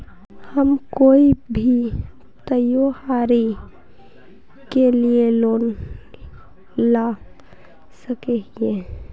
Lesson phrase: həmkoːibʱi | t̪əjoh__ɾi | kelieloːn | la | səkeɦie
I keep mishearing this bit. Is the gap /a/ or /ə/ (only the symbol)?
a